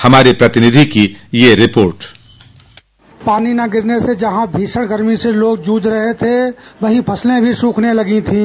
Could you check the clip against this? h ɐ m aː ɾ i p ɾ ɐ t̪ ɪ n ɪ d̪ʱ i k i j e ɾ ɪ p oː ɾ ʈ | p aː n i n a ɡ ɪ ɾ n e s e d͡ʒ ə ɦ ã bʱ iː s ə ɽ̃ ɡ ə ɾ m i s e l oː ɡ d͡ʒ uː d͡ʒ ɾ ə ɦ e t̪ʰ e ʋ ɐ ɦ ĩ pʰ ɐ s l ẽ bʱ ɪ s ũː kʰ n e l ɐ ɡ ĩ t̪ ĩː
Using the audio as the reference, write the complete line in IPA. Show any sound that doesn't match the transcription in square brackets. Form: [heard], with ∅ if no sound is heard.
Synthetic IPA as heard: h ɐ m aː ɾ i p ɾ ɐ t̪ ɪ n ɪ d̪ʱ i k i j e ɾ ɪ p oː ɾ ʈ | p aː n i n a ɡ ɪ ɾ n e s e d͡ʒ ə ɦ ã bʱ iː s ə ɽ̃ ɡ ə ɾ m i s e l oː ɡ d͡ʒ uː d͡ʒ ɾ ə ɦ e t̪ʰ e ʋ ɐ ɦ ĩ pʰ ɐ s l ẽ bʱ [i] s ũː kʰ n e l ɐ ɡ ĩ [t̪ʰ] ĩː